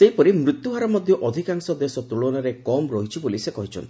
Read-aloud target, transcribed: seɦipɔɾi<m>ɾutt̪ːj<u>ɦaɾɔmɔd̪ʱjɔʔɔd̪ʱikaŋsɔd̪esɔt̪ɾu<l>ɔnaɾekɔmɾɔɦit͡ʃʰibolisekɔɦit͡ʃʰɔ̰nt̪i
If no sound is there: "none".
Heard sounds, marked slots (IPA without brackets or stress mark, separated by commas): m, u, ɭ